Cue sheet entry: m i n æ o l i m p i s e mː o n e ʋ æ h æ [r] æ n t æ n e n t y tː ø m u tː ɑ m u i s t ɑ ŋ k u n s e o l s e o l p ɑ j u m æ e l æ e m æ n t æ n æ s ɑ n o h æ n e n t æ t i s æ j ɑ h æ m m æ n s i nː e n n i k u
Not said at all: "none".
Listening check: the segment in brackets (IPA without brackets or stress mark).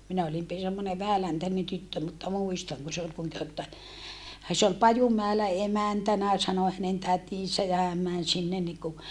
l